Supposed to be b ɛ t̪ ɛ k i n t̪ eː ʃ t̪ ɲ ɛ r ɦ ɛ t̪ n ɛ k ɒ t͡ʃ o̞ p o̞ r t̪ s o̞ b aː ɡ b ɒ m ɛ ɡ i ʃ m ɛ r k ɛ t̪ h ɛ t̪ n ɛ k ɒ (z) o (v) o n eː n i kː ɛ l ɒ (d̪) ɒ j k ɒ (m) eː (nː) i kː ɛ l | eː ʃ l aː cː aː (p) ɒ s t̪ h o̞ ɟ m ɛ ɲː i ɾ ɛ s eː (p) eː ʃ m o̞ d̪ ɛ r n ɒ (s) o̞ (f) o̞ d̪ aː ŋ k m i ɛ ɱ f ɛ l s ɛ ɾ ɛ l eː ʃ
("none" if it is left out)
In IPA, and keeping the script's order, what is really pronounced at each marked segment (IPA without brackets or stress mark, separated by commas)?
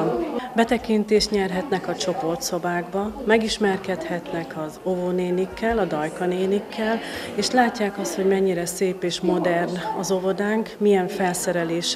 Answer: z, v, d̪, n, n, k, p, z, v